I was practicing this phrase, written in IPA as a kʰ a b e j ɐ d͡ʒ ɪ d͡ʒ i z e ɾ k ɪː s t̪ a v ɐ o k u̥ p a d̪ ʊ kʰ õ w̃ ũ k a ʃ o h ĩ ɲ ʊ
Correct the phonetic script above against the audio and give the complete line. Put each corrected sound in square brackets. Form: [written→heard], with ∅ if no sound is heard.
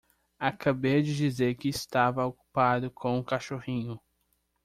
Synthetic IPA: a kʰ a b e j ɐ d͡ʒ ɪ d͡ʒ i z e ɾ k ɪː s t̪ a v ɐ o k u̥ p a d̪ ʊ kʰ õ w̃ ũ k a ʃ o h ĩ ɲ ʊ